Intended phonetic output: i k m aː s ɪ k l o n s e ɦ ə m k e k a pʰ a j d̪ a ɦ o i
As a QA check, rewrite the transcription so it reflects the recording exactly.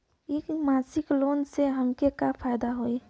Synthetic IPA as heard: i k m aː s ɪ k l o n s e ɦ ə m k e k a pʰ a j d̪ a ɦ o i